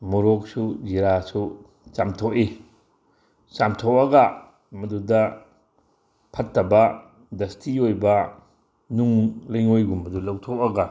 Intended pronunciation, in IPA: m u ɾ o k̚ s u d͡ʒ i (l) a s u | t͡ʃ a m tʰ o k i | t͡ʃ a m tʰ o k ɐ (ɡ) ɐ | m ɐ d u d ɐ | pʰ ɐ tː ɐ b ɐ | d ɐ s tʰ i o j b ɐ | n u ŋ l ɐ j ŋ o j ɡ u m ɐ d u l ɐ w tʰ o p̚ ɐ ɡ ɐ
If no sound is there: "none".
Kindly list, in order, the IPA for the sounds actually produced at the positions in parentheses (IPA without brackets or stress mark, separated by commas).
ɾ, ɡ